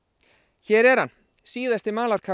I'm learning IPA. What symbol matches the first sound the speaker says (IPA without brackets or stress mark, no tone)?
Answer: ç